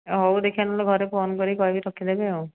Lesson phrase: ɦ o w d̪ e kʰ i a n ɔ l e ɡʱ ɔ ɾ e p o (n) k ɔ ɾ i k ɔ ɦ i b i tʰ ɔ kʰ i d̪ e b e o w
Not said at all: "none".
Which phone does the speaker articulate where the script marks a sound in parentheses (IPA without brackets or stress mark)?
n